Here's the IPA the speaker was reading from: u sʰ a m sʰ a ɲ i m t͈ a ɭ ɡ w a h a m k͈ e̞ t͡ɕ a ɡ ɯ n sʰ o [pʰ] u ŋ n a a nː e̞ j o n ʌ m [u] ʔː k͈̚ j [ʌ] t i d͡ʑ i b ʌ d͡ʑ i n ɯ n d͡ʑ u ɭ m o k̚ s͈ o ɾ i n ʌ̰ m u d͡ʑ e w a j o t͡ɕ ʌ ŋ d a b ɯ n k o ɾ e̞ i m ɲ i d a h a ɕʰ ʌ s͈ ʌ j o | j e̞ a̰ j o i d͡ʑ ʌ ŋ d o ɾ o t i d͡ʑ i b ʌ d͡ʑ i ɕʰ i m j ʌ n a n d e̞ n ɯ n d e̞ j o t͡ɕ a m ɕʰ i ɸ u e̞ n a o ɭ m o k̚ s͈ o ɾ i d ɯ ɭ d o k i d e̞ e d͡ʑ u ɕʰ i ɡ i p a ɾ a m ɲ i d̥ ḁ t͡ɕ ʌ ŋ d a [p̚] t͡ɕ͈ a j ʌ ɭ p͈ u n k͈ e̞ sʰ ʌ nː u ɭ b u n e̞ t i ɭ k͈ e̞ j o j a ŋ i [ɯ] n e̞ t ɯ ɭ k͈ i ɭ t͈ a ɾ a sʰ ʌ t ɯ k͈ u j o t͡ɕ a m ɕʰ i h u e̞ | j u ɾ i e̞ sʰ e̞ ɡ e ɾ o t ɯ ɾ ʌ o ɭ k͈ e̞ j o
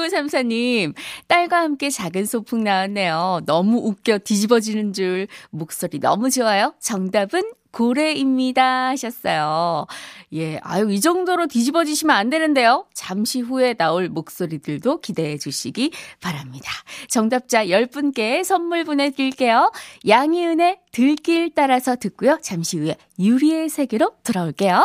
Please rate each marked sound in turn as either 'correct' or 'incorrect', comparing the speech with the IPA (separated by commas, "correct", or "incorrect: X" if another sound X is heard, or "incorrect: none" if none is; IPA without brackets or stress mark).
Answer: correct, correct, correct, correct, correct